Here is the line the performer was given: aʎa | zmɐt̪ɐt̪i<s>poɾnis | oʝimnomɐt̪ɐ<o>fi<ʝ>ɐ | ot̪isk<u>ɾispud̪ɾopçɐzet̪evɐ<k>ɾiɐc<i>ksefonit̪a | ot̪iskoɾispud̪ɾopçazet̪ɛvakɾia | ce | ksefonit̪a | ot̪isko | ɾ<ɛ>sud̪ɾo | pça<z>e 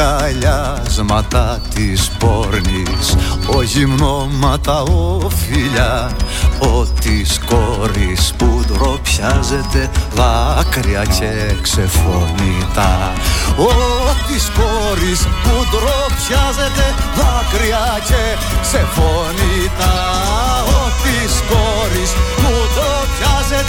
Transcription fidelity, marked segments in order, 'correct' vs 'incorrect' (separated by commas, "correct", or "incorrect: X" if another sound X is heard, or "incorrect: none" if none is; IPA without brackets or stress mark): correct, correct, incorrect: ʎ, incorrect: o, correct, incorrect: e, incorrect: i, correct